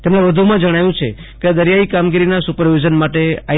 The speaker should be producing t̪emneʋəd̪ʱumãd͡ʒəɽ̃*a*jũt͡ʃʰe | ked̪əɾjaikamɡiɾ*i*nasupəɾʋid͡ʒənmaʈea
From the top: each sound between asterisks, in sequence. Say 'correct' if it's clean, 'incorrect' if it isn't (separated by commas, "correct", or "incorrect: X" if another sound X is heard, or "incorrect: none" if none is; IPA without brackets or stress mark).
correct, correct